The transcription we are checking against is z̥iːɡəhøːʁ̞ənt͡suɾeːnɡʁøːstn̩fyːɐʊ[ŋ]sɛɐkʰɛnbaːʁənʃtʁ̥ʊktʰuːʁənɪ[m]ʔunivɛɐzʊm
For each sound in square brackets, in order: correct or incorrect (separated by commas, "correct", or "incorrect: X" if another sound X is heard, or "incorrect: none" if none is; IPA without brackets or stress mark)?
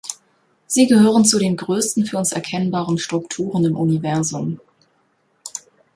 incorrect: n, correct